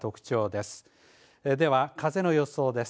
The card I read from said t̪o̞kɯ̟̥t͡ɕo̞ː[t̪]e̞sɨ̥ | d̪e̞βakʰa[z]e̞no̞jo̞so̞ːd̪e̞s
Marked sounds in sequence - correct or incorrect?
incorrect, correct

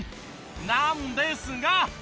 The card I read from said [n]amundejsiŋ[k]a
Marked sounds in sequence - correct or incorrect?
correct, incorrect

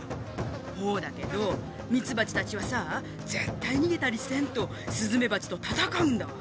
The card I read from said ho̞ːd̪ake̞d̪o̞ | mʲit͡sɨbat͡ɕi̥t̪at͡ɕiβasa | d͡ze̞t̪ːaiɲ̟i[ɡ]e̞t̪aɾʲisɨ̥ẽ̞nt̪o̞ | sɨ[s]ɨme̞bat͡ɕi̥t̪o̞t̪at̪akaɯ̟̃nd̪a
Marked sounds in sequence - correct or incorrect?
correct, incorrect

